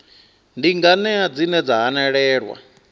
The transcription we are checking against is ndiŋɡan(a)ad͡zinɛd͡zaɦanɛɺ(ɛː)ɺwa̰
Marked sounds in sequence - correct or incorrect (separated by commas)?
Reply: incorrect, correct